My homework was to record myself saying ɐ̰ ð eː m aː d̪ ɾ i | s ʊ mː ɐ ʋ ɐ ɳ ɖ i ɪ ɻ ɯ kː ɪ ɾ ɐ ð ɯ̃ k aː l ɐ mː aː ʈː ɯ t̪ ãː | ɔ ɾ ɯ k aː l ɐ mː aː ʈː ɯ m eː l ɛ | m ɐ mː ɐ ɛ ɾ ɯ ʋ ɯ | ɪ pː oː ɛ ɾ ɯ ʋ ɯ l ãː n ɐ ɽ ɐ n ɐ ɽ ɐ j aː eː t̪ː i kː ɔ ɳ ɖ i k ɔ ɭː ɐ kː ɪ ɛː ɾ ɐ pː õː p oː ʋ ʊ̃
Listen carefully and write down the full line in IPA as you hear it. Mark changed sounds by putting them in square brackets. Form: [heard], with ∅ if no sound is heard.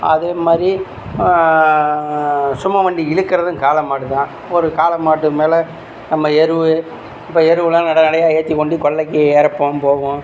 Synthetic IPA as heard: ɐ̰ ð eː m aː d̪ ɾ i | s ʊ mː ɐ ʋ ɐ ɳ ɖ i ɪ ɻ ɯ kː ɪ ɾ ɐ ð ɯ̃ k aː l ɐ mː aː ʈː ɯ t̪ ãː | ɔ ɾ ɯ k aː l ɐ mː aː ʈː ɯ m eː l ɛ | [n] ɐ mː ɐ ɛ ɾ ɯ ʋ ɯ | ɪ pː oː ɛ ɾ ɯ ʋ ɯ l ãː n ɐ ɽ ɐ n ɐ ɽ ɐ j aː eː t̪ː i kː ɔ ɳ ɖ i k ɔ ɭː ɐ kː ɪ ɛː ɾ ɐ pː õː p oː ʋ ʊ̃